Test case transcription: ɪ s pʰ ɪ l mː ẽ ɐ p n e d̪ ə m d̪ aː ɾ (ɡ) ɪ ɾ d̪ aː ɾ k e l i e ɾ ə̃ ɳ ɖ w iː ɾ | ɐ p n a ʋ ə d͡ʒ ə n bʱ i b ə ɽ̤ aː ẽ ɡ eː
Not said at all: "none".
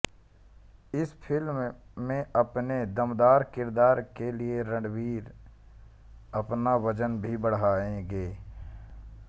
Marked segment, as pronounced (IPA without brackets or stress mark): k